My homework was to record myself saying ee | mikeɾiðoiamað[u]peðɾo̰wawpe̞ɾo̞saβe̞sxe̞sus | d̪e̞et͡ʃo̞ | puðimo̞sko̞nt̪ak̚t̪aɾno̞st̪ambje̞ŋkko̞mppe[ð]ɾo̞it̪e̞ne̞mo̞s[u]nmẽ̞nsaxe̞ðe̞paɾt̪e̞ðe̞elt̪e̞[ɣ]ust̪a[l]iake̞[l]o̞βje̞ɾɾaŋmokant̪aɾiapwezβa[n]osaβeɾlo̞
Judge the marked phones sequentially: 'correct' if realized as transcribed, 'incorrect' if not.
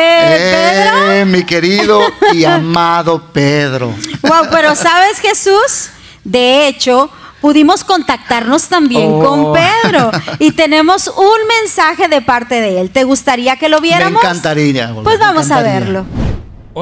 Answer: incorrect: o, correct, correct, correct, incorrect: ɾ, correct, incorrect: m

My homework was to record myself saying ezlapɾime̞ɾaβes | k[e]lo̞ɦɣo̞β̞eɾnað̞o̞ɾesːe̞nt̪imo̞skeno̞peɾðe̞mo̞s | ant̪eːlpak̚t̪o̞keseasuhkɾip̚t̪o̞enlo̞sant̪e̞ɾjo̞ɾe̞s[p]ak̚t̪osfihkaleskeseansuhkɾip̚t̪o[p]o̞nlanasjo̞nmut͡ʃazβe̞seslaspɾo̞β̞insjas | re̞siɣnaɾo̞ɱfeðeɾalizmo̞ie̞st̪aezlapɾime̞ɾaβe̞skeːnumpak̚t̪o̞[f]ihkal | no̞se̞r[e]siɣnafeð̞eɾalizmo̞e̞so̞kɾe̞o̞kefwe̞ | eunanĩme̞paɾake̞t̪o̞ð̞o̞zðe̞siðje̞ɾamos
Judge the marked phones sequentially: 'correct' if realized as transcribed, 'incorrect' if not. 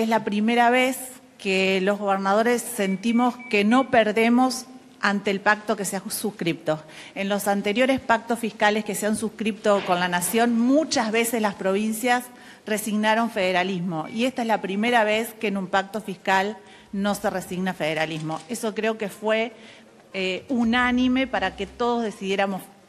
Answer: correct, correct, incorrect: k, correct, correct

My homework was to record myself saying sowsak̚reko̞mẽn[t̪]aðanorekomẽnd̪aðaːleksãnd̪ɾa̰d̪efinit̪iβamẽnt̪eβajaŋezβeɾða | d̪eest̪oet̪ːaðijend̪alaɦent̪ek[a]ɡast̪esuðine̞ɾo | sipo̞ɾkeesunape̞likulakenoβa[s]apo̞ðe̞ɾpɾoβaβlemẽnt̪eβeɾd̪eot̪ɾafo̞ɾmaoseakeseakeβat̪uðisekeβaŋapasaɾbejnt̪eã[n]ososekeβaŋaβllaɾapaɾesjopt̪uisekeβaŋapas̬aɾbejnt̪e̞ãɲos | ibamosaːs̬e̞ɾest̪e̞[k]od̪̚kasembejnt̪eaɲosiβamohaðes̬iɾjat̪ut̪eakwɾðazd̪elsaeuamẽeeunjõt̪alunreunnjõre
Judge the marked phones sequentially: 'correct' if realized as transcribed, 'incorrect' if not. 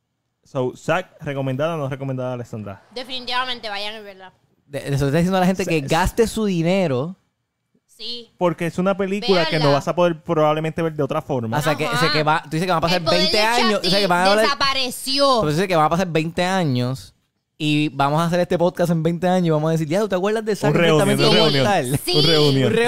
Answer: incorrect: d̪, incorrect: e, correct, incorrect: ɲ, incorrect: p

